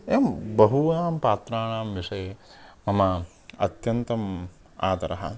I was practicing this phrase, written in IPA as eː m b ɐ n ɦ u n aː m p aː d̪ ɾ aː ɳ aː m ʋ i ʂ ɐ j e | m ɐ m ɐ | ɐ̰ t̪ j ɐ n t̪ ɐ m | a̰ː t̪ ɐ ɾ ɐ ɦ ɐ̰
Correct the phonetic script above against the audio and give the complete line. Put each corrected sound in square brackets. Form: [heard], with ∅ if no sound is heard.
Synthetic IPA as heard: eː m b ɐ [∅] ɦ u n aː m p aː [t̪] ɾ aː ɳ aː m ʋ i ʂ ɐ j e | m ɐ m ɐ | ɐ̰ t̪ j ɐ n t̪ ɐ m | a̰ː t̪ ɐ ɾ ɐ ɦ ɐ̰